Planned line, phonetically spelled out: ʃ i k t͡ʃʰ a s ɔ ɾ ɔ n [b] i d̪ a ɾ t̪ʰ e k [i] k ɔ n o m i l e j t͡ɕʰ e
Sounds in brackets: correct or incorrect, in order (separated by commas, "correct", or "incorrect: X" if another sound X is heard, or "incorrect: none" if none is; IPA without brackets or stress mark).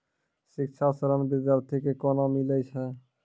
correct, incorrect: e